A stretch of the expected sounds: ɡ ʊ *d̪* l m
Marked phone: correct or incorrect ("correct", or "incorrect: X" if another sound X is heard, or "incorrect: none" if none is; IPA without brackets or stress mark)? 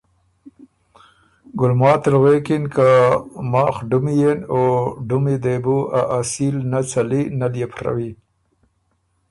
incorrect: none